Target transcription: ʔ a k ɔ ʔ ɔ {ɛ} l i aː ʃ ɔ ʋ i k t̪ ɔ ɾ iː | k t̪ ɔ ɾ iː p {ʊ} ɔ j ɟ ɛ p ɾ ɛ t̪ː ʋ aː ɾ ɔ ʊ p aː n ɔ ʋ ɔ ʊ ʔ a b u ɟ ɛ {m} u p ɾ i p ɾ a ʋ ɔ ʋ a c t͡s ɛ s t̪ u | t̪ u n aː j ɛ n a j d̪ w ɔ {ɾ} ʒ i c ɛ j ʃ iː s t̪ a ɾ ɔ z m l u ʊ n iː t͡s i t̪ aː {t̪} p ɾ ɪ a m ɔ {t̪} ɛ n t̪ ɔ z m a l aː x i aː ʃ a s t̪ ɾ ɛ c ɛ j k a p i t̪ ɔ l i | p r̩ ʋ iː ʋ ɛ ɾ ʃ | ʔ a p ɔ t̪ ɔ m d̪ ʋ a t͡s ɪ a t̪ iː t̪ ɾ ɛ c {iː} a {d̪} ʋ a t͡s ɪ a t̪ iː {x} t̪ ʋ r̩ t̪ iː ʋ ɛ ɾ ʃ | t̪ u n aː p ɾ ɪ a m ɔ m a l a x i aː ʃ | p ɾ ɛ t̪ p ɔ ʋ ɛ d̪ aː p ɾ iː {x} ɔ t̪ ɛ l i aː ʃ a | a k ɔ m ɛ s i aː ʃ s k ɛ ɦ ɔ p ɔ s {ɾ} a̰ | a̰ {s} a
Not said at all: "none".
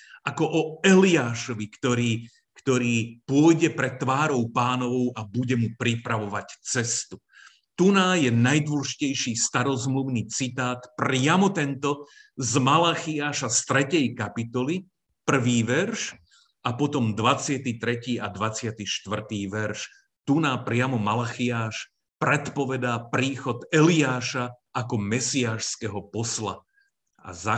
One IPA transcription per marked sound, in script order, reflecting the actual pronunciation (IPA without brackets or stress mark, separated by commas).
ɛ, ʊ, m, l, t̪, t̪, iː, d̪, ʃ, x, l, z